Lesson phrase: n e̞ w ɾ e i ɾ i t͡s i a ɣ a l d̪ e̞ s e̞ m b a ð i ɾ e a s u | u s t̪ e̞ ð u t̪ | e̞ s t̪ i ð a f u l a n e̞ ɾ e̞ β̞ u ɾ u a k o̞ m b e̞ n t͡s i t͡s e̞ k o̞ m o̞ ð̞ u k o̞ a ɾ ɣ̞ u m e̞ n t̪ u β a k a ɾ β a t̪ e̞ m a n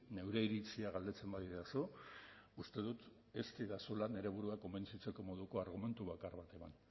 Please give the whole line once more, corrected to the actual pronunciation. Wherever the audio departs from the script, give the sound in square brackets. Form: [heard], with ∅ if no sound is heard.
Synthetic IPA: n e̞ w ɾ e i ɾ i t͡s i a ɣ a l d̪ e̞ [t͡s] e̞ m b a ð i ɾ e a s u | u s t̪ e̞ ð u t̪ | e̞ s t̪ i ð a [s] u l a n e̞ ɾ e̞ β̞ u ɾ u a k o̞ m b e̞ n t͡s i t͡s e̞ k o̞ m o̞ ð̞ u k o̞ a ɾ ɣ̞ u m e̞ n t̪ u β a k a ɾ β a t̪ e̞ m a n